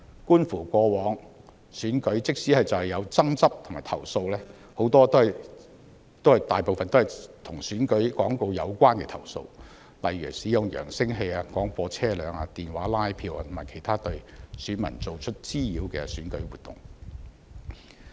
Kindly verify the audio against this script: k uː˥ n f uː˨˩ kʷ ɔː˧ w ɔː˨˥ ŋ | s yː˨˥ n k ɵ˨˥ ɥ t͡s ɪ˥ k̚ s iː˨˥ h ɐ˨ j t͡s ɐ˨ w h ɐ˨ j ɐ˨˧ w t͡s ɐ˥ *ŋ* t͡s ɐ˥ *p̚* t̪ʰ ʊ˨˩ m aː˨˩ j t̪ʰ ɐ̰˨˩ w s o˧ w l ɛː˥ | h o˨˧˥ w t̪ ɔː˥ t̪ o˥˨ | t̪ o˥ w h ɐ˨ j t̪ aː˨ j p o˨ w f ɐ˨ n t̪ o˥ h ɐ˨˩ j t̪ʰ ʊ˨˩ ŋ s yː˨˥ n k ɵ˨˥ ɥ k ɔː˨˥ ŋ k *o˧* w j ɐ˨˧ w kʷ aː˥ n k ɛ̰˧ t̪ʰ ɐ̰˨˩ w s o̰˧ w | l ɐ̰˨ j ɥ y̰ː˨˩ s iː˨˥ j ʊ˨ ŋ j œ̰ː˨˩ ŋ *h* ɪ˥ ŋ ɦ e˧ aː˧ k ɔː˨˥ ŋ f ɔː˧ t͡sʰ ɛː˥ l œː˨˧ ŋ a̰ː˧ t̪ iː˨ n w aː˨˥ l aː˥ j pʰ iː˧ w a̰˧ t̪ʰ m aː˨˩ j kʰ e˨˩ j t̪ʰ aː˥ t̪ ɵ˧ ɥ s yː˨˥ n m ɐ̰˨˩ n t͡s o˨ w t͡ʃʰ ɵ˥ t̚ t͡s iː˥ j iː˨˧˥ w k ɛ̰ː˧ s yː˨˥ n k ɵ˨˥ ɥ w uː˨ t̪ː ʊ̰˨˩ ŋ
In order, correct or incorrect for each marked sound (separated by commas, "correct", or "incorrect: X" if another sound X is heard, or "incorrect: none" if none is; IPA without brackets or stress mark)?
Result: correct, correct, correct, incorrect: s